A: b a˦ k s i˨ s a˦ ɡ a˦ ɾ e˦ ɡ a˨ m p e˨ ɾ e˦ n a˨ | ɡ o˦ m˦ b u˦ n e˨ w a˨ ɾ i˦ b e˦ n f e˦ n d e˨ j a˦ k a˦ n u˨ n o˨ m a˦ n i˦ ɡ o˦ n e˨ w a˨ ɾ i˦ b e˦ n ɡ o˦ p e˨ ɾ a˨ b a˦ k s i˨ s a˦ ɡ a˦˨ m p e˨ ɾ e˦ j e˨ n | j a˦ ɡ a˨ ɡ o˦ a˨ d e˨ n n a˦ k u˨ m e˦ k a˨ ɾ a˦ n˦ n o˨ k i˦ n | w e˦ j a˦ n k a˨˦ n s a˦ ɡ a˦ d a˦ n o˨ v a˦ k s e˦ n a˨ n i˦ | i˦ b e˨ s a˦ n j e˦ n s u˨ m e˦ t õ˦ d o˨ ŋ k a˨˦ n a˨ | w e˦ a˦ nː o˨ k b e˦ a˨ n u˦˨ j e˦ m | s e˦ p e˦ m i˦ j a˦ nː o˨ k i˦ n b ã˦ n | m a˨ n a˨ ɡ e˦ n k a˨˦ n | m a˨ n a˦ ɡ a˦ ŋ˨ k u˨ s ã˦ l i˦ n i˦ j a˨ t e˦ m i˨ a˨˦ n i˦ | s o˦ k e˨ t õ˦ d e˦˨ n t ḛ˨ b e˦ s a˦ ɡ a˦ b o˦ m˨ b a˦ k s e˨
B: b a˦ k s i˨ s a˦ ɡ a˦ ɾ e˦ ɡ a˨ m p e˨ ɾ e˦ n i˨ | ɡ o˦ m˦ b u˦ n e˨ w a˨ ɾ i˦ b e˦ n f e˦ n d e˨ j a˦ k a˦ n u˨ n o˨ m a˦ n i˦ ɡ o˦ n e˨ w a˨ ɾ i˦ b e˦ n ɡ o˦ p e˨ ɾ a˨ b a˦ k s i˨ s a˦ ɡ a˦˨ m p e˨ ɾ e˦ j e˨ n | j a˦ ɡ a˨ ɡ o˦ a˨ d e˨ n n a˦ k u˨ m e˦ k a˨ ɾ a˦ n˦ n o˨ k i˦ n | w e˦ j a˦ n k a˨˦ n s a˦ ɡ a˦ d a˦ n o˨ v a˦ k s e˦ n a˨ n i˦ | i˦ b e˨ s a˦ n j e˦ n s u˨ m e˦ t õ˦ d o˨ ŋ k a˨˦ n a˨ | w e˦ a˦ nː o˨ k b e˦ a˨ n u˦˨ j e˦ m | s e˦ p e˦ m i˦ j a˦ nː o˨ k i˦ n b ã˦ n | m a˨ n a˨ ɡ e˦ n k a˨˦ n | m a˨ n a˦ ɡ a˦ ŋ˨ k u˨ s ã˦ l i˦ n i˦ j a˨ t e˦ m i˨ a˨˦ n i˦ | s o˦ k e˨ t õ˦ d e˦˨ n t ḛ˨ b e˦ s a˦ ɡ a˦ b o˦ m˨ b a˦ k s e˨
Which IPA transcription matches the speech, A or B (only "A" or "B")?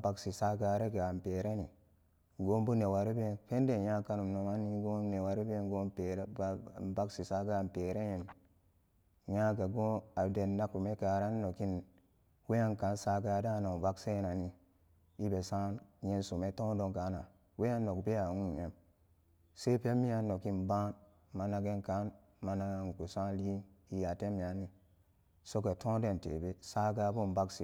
B